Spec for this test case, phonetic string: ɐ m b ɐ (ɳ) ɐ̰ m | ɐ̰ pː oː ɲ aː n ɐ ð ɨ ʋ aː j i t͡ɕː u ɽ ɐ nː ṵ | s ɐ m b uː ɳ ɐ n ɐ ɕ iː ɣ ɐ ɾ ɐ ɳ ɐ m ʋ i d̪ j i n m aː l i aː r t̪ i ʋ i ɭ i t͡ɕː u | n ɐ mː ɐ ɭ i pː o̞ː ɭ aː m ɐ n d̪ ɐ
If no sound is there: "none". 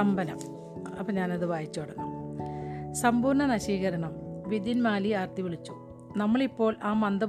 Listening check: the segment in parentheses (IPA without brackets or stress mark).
n